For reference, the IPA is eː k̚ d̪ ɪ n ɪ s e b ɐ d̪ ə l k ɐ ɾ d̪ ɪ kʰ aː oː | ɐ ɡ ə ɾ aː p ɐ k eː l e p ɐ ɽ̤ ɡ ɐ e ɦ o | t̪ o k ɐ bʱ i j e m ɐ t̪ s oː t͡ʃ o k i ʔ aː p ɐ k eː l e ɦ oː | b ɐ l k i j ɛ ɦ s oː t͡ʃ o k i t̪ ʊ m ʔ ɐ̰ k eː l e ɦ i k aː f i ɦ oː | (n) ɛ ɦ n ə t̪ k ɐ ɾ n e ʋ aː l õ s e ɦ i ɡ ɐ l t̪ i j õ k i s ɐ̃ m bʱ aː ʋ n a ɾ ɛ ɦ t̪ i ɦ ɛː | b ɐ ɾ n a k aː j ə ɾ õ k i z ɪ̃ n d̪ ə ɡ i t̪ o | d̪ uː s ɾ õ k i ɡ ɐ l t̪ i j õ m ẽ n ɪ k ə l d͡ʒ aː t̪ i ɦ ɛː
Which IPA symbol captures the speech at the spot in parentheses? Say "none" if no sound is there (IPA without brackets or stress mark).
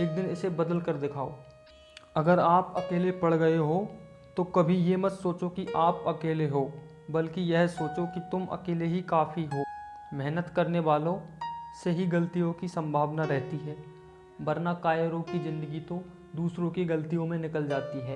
m